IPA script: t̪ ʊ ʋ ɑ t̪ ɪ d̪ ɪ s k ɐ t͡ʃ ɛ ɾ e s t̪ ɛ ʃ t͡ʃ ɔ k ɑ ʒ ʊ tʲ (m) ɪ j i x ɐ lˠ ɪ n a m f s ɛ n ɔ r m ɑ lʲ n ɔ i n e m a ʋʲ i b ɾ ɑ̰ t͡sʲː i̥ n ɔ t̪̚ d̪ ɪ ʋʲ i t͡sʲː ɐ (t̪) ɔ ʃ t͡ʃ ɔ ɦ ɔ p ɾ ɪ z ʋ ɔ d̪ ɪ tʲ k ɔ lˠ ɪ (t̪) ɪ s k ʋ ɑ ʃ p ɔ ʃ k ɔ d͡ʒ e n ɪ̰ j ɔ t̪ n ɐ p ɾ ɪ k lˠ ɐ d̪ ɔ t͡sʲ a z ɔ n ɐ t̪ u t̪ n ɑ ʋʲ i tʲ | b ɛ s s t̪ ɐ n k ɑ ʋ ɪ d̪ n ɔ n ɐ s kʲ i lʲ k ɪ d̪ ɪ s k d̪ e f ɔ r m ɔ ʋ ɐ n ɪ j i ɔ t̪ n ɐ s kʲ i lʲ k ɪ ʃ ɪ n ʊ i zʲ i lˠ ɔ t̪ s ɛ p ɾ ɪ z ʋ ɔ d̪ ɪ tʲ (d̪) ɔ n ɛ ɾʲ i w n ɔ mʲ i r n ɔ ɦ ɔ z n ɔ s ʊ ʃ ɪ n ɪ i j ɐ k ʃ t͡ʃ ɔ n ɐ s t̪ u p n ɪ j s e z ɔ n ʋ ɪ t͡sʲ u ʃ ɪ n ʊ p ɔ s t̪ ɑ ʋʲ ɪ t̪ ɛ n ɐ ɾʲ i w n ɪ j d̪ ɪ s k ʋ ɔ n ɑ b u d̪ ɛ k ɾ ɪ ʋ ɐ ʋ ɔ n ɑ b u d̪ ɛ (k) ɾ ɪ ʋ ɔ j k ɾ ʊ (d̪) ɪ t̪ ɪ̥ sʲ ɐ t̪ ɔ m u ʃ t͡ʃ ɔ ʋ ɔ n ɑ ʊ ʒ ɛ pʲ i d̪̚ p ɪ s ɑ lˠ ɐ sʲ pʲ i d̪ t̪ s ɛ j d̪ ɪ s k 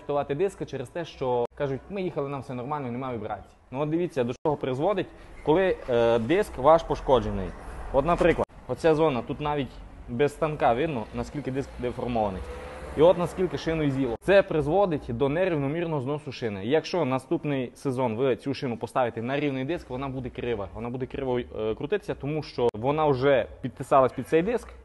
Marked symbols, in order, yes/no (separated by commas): yes, no, no, yes, yes, no